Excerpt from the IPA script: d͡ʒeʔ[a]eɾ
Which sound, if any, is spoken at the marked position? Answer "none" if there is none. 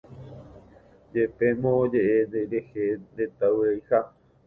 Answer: e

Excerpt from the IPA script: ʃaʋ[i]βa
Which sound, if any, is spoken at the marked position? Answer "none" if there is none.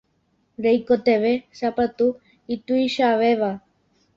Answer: e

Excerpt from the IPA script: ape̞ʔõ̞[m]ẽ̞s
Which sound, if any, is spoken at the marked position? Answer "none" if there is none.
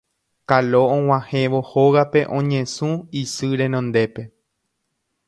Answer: ɲ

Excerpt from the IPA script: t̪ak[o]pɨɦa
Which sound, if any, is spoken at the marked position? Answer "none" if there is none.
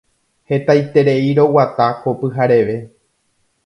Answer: o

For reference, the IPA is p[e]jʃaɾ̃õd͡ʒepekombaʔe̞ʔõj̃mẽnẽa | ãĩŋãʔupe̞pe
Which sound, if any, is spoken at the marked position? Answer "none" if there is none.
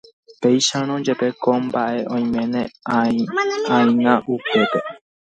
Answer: e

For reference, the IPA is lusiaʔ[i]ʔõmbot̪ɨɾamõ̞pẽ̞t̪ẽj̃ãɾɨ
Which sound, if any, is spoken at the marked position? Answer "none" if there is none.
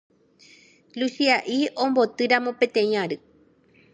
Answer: i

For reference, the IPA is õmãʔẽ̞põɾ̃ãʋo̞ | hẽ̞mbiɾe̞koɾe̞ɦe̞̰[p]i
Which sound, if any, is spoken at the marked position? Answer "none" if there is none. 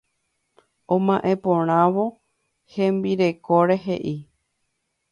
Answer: ʔ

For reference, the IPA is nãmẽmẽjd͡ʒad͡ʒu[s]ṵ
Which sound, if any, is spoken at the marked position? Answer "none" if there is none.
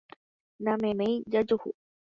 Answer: h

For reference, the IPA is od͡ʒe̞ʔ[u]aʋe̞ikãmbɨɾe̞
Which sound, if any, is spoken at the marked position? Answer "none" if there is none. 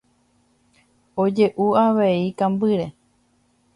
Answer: u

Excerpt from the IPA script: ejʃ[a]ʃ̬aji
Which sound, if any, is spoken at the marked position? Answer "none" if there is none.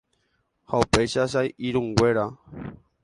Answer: a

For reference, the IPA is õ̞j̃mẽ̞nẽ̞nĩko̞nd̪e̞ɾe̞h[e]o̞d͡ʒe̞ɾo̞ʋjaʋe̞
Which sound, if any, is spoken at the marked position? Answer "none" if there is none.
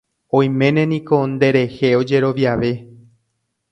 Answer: e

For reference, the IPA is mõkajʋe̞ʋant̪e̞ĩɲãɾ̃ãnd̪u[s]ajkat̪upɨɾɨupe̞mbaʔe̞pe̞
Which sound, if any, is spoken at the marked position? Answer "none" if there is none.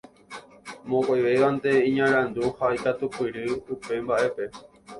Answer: h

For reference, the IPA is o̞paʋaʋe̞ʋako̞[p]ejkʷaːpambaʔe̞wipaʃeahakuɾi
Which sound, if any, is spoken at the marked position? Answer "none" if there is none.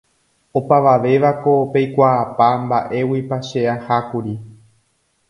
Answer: p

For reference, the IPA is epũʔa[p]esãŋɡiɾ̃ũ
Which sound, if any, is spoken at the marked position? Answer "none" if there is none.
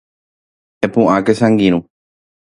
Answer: k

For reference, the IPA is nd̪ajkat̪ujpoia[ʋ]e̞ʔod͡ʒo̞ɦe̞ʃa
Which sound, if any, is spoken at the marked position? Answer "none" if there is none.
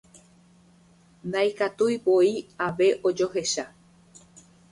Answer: ʋ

